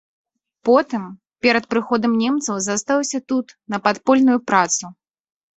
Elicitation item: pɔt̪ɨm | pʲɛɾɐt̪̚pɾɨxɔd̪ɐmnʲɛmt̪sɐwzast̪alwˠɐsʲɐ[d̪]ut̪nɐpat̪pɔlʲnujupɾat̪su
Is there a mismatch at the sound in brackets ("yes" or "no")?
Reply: yes